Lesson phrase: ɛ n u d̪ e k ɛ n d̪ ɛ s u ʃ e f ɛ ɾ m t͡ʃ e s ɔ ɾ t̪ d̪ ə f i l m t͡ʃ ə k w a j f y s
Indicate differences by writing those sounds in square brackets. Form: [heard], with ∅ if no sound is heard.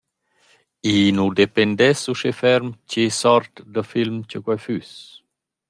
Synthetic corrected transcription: [i] n u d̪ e [p] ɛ n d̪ ɛ s u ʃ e f ɛ ɾ m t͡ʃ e s ɔ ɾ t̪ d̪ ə f i l m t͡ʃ ə k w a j f y s